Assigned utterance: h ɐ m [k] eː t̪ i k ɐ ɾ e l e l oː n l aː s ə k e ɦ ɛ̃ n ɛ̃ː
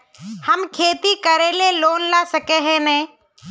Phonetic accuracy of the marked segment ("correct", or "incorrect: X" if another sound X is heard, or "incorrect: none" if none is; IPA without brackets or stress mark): incorrect: kʰ